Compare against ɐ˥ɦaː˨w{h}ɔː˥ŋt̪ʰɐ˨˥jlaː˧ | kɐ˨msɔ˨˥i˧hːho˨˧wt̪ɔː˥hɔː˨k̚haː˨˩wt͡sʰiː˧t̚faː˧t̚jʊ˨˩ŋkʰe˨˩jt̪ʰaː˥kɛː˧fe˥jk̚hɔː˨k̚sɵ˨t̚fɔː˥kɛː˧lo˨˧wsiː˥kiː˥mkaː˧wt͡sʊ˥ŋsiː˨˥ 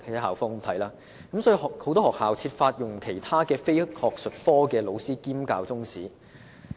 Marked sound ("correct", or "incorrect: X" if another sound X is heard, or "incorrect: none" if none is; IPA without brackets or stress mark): incorrect: f